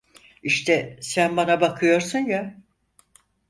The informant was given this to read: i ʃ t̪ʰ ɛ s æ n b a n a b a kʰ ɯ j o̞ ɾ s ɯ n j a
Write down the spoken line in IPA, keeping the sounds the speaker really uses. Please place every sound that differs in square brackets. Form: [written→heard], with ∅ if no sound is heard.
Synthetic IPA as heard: i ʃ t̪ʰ ɛ s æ n b a n a b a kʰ ɯ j o̞ ɾ s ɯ n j a